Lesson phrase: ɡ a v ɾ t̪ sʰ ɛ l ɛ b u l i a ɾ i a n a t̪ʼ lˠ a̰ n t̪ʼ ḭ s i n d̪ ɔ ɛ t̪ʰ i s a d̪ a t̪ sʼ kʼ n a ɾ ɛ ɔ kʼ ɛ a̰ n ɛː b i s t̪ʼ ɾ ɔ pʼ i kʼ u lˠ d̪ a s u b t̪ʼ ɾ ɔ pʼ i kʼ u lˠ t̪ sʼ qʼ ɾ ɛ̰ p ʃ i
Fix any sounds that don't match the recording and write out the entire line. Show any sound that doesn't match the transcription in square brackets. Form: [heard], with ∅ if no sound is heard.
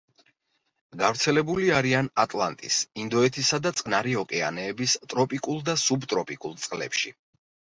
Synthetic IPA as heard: ɡ a v ɾ t̪ sʰ ɛ l ɛ b u l i a ɾ i a n a t̪ʼ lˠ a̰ n t̪ʼ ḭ s i n d̪ ɔ ɛ t̪ʰ i s a d̪ a t̪ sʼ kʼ n a ɾ [i] ɔ kʼ ɛ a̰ n ɛː b i s t̪ʼ ɾ ɔ pʼ i kʼ u lˠ d̪ a s u b t̪ʼ ɾ ɔ pʼ i kʼ u lˠ t̪ sʼ qʼ [l] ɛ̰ p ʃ i

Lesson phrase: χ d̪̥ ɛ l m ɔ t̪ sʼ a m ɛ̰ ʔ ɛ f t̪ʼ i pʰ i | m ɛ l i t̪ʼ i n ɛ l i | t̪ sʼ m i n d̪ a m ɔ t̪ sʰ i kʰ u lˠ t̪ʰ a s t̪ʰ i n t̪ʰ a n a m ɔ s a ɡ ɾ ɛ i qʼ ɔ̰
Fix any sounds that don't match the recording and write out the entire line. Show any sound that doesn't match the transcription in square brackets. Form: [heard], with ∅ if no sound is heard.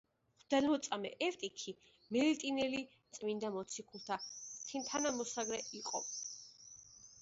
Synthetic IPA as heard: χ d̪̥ ɛ l m ɔ t̪ sʼ a m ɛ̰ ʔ ɛ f t̪ʼ i [kʰ] i | m ɛ l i t̪ʼ i n ɛ l i | t̪ sʼ m i n d̪ a m ɔ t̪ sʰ i kʰ u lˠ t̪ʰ a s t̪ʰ i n t̪ʰ a n a m ɔ s a ɡ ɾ ɛ i qʼ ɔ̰

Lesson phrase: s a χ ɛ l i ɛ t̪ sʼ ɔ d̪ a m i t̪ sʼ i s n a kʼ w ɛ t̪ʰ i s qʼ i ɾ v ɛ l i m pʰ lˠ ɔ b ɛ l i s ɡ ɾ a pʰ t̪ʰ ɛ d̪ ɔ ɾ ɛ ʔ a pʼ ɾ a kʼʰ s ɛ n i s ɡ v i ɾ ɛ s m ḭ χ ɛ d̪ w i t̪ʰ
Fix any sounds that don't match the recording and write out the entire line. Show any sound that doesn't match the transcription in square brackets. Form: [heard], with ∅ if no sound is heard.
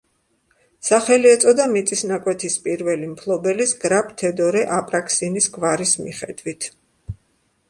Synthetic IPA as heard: s a χ ɛ l i ɛ t̪ sʼ ɔ d̪ a m i t̪ sʼ i s n a kʼ w ɛ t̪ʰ i s [pʼ] i ɾ v ɛ l i m pʰ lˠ ɔ b ɛ l i s ɡ ɾ a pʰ t̪ʰ ɛ d̪ ɔ ɾ ɛ ʔ a pʼ ɾ a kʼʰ s [i] n i s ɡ v [a] ɾ [i] s m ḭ χ ɛ d̪ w i t̪ʰ

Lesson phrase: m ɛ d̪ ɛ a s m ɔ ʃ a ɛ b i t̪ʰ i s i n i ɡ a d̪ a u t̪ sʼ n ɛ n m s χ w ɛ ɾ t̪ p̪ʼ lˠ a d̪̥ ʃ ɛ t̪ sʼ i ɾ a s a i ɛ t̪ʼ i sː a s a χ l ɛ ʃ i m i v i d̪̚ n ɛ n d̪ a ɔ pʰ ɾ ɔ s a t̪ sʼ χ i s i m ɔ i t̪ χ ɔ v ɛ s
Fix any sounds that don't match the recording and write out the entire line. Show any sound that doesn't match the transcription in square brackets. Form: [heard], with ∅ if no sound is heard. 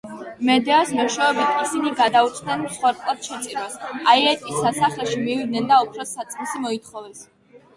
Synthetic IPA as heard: m ɛ d̪ ɛ a s m ɔ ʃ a ɛ b i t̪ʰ i s i n i ɡ a d̪ a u t̪ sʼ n ɛ n m s χ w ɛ ɾ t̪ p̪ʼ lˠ a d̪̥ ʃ ɛ t̪ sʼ i ɾ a s a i ɛ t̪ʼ i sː a s a χ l ɛ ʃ i m i v i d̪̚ n ɛ n d̪ a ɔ pʰ ɾ ɔ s a t̪ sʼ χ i s i m ɔ i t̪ χ ɔ v ɛ s

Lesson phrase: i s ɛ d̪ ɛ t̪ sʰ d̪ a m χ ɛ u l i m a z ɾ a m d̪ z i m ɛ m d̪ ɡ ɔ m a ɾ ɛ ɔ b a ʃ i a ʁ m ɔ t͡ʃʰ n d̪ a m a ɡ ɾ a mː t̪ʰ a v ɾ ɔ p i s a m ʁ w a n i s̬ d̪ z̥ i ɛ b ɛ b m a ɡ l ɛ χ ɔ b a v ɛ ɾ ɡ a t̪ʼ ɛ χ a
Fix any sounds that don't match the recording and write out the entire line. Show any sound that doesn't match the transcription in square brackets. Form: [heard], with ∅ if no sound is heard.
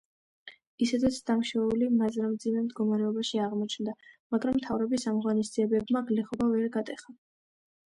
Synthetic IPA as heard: i s ɛ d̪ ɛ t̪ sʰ d̪ a m [ʃ] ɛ u l i m a z ɾ a m d̪ z i m ɛ m d̪ ɡ ɔ m a ɾ ɛ ɔ b a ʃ i a ʁ m ɔ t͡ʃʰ n d̪ a m a ɡ ɾ a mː t̪ʰ a v ɾ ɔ [b] i s a m ʁ w a n i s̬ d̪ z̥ i ɛ b ɛ b m a ɡ l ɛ χ ɔ b a v ɛ ɾ ɡ a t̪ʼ ɛ χ a

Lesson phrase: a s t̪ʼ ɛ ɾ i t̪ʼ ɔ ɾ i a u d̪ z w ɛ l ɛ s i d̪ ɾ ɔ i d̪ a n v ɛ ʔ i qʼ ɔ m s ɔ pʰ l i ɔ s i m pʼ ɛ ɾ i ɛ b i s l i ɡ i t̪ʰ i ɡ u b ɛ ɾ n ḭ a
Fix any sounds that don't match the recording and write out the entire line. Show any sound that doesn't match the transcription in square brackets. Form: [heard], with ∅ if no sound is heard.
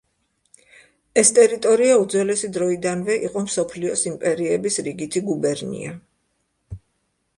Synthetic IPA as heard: [ɛ] s t̪ʼ ɛ ɾ i t̪ʼ ɔ ɾ i a u d̪ z w ɛ l ɛ s i d̪ ɾ ɔ i d̪ a n v ɛ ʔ i qʼ ɔ m s ɔ pʰ l i ɔ s i m pʼ ɛ ɾ i ɛ b i s [ɾ] i ɡ i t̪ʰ i ɡ u b ɛ ɾ n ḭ a

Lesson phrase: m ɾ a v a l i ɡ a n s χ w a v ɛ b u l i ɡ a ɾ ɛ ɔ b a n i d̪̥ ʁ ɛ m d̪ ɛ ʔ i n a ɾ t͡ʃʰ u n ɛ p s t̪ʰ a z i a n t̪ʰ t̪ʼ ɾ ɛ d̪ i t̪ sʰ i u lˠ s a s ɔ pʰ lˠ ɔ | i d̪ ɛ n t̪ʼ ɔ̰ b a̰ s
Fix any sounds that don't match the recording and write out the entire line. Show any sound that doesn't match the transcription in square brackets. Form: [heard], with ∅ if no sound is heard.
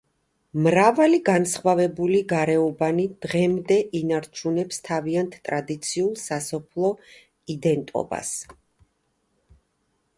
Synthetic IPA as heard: m ɾ a v a l i ɡ a n s χ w a v ɛ b u l i ɡ a ɾ ɛ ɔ b a n i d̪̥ ʁ ɛ m d̪ ɛ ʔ i n a ɾ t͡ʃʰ u n ɛ p s t̪ʰ a [v] i a n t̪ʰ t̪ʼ ɾ [a] d̪ i t̪ sʰ i u lˠ s a s ɔ pʰ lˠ ɔ | i d̪ ɛ n t̪ʼ ɔ̰ b a̰ s

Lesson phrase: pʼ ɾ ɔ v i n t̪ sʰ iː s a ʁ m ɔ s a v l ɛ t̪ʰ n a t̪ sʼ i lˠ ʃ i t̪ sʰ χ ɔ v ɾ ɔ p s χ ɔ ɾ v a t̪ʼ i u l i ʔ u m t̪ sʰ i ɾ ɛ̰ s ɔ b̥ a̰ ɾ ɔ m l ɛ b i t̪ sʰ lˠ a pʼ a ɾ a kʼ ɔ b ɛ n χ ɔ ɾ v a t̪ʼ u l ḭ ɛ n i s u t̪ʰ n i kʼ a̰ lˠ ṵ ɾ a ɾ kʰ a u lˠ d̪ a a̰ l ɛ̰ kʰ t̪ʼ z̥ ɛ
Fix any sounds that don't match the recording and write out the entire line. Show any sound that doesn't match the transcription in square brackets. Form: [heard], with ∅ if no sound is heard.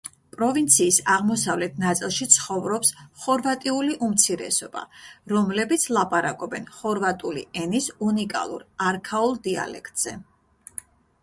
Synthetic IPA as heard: pʼ ɾ ɔ v i n t̪ sʰ iː s a ʁ m ɔ s a v l ɛ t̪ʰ n a t̪ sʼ i lˠ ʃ i t̪ sʰ χ ɔ v ɾ ɔ p s χ ɔ ɾ v a t̪ʼ i u l i ʔ u m t̪ sʰ i ɾ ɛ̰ s ɔ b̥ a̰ ɾ ɔ m l ɛ b i t̪ sʰ lˠ a pʼ a ɾ a kʼ ɔ b ɛ n χ ɔ ɾ v a t̪ʼ u l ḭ ɛ n i s u [∅] n i kʼ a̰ lˠ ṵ ɾ a ɾ kʰ a u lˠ d̪ [i] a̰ l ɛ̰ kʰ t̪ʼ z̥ ɛ

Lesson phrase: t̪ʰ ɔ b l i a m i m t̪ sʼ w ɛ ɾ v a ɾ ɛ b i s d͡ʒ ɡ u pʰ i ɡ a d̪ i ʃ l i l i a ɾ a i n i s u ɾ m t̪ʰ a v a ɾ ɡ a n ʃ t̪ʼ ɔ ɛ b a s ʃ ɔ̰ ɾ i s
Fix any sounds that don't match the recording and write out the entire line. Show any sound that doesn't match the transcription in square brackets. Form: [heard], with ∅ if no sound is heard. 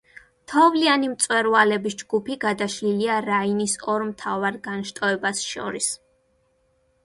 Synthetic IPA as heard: t̪ʰ ɔ [v] l i a [n] i m t̪ sʼ w ɛ ɾ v a [l] ɛ b i s d͡ʒ ɡ u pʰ i ɡ a d̪ [a] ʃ l i l i a ɾ a i n i s [ɔ] ɾ m t̪ʰ a v a ɾ ɡ a n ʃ t̪ʼ ɔ ɛ b a s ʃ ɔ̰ ɾ i s

